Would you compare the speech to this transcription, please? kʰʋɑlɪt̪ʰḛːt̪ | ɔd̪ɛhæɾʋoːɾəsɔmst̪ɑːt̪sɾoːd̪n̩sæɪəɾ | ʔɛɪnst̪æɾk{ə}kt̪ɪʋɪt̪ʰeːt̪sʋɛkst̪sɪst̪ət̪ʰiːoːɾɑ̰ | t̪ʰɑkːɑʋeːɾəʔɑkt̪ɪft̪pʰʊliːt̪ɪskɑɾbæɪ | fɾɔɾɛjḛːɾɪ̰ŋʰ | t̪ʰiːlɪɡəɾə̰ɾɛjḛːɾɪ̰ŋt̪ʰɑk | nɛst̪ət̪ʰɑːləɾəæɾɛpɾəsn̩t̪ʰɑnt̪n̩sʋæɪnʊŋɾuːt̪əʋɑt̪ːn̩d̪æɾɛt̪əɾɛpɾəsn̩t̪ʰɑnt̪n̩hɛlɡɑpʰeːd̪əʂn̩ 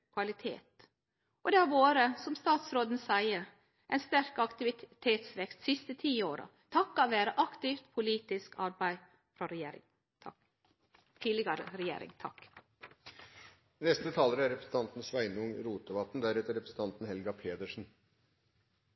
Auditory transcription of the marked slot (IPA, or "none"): ɑ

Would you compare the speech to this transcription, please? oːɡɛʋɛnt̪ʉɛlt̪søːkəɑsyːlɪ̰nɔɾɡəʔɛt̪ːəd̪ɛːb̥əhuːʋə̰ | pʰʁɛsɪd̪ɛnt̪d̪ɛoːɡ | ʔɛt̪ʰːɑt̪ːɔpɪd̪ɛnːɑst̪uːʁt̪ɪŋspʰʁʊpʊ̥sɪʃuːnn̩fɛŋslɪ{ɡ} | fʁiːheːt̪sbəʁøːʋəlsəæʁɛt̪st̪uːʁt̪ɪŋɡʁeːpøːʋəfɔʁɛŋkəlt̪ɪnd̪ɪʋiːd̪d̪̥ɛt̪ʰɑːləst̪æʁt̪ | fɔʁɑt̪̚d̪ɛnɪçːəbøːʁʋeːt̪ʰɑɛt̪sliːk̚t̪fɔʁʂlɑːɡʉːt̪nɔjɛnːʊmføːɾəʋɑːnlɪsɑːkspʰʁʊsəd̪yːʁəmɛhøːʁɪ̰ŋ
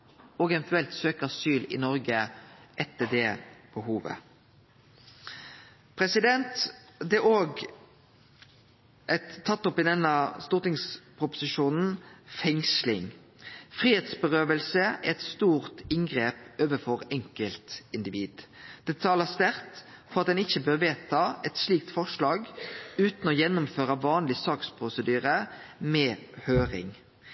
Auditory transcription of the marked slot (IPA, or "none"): ŋ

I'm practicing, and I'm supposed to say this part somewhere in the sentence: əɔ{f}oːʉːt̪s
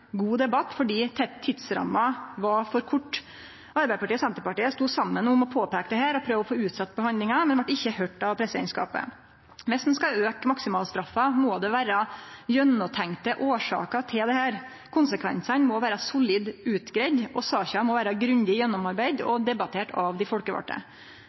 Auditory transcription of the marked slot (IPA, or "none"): f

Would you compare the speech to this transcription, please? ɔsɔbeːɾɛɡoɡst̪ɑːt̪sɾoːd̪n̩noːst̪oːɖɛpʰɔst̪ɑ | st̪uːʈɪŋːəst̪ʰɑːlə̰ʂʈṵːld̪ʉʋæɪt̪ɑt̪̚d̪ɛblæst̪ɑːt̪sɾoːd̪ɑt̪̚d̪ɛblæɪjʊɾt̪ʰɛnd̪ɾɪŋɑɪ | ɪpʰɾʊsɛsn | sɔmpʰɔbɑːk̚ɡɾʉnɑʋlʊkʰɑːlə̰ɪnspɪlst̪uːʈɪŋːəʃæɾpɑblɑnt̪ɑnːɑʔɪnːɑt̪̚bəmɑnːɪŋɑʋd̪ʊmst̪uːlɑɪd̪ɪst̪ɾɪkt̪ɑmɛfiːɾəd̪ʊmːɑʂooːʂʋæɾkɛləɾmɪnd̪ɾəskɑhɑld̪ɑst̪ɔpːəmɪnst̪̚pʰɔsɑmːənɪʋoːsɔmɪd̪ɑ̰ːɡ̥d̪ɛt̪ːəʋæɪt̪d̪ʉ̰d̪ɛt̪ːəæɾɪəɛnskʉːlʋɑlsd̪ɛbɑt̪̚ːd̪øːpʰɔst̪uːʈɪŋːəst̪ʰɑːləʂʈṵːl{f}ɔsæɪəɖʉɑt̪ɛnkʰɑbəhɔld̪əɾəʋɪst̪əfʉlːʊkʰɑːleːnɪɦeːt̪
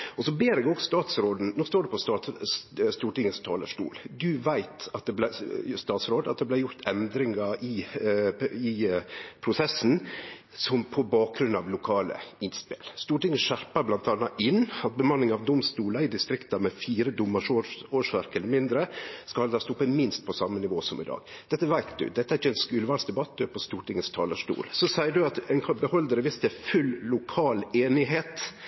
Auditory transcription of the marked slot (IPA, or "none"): s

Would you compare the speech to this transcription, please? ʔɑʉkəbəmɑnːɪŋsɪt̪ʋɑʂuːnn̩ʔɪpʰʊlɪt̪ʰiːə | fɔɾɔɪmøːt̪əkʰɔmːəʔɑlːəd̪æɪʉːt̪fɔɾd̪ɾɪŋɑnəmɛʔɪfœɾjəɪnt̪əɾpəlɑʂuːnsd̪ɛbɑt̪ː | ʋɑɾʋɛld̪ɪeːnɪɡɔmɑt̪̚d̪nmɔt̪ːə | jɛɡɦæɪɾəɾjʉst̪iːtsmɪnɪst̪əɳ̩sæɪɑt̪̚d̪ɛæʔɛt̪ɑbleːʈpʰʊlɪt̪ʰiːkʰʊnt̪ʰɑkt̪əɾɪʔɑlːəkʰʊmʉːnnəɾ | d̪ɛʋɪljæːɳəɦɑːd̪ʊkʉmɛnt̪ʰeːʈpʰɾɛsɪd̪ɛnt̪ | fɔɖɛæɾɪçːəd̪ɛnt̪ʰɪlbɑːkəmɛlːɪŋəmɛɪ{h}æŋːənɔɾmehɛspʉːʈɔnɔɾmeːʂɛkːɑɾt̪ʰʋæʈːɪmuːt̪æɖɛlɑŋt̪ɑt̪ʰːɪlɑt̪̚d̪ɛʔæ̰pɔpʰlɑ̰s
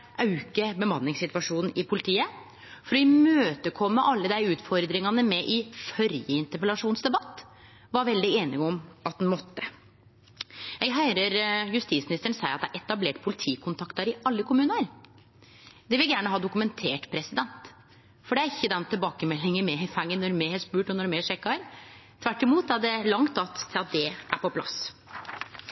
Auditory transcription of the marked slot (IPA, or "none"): f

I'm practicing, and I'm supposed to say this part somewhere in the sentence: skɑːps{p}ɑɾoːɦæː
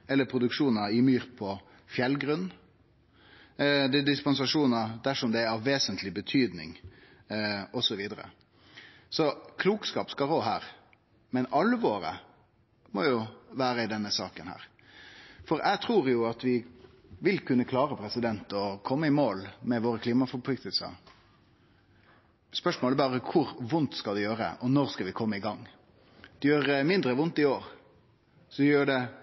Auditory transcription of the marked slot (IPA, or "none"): k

